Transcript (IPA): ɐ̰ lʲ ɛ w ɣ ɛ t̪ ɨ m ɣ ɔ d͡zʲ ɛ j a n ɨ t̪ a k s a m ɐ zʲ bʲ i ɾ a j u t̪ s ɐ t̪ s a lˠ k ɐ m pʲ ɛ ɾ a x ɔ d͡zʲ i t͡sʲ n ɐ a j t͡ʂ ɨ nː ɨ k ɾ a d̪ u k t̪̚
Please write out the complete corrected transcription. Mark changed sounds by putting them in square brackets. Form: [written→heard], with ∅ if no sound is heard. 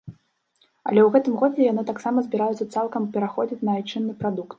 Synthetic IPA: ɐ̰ lʲ ɛ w ɣ ɛ t̪ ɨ m ɣ ɔ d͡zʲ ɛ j a n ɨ t̪ a k s a m ɐ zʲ bʲ i ɾ a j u t̪ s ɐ t̪ s a lˠ k ɐ m pʲ ɛ ɾ a x ɔ d͡zʲ i t͡sʲ n ɐ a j t͡ʂ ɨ nː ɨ [k→p] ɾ a d̪ u k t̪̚